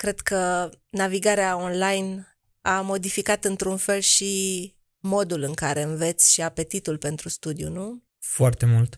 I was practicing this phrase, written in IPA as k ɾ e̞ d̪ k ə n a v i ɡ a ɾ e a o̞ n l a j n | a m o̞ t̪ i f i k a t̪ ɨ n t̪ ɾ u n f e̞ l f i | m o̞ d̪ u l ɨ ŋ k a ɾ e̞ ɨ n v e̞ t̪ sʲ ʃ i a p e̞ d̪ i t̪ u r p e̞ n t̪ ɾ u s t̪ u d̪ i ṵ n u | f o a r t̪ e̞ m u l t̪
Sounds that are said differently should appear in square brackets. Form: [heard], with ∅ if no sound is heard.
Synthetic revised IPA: k ɾ e̞ d̪ k ə n a v i ɡ a ɾ e a o̞ n l a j n | a m o̞ [d̪] i f i k a t̪ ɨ n t̪ ɾ u n f e̞ l [ʃ] i | m o̞ d̪ u l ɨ ŋ k a ɾ e̞ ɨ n v e̞ t̪ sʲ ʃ i a p e̞ [t̪] i t̪ u [l] p e̞ n t̪ ɾ u s t̪ u d̪ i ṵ n u | f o a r t̪ e̞ m u l t̪